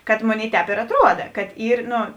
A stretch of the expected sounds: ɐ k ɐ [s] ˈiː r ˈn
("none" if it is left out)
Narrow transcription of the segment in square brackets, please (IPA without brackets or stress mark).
t